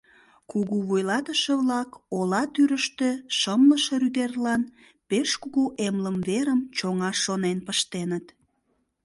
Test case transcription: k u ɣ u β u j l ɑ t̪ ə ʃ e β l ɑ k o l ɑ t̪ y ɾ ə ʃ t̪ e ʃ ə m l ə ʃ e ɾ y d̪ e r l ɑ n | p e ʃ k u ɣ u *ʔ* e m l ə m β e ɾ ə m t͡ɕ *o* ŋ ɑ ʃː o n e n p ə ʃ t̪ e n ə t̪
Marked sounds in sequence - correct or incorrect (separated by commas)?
correct, correct